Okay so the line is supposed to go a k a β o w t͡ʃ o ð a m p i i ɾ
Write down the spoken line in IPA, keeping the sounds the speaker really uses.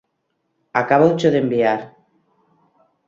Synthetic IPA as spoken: a k a β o w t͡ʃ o ð e m b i a ɾ